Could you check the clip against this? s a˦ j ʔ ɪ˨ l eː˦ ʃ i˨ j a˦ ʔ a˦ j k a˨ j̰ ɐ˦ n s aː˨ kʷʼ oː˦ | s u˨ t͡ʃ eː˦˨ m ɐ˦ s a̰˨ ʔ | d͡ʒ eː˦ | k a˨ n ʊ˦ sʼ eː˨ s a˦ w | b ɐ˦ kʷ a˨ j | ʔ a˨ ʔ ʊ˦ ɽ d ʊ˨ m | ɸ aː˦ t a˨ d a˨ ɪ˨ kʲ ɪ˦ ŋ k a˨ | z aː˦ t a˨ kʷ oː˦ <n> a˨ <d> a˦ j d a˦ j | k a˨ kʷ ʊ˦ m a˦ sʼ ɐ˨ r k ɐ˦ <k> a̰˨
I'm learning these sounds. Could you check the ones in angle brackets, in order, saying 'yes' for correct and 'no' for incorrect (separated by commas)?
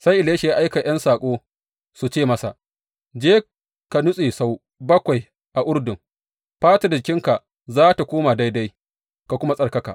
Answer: no, yes, yes